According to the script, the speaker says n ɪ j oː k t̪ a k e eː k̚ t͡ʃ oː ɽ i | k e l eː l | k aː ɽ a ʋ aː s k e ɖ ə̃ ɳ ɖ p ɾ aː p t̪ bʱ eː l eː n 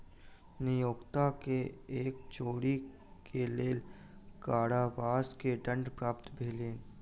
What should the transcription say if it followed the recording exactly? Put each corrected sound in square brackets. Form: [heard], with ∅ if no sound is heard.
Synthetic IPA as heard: n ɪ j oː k t̪ a k e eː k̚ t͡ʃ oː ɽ i | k e l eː l | k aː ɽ a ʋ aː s k e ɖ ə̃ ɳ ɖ p ɾ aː p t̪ bʱ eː l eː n